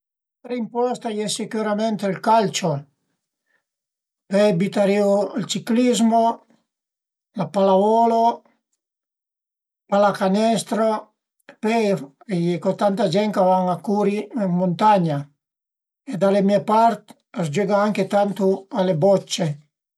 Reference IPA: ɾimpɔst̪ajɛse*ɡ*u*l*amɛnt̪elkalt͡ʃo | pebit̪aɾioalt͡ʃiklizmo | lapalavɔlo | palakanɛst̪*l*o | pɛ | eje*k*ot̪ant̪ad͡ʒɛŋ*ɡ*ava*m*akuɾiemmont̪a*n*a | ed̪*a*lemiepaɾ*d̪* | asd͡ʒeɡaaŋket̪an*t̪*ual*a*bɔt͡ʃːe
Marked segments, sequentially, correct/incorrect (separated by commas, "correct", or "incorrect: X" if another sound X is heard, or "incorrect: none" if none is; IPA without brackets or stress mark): incorrect: k, incorrect: ɾ, incorrect: ɾ, correct, incorrect: k, incorrect: ŋ, incorrect: ɲ, correct, incorrect: t̪, correct, incorrect: e